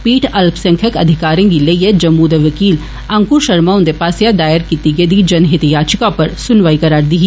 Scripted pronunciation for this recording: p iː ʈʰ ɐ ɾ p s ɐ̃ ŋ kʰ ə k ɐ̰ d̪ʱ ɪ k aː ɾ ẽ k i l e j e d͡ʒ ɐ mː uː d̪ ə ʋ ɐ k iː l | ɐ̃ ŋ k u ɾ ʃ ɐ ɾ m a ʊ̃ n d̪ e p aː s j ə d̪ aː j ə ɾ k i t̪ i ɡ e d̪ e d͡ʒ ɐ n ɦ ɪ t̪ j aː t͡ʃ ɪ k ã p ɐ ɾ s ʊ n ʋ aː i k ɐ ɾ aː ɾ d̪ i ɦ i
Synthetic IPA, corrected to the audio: p iː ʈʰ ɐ l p s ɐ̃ ŋ kʰ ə k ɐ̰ d̪ʱ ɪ k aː ɾ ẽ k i l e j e d͡ʒ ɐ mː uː d̪ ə ʋ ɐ k iː l | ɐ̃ ŋ k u ɾ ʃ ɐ ɾ m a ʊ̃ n d̪ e p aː s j a d̪ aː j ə ɾ k i t̪ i ɡ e d̪ i d͡ʒ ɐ n ɦ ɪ t̪ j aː t͡ʃ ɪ k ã p ɐ ɾ s ʊ n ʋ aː i k ɐ ɾ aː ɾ d̪ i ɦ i